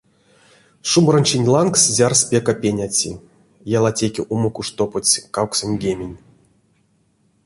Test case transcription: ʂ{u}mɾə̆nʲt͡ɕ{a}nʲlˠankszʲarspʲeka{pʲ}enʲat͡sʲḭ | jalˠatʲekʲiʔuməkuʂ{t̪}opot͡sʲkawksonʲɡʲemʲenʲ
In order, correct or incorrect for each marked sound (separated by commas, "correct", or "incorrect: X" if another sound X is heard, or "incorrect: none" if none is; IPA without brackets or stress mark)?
correct, incorrect: i, correct, correct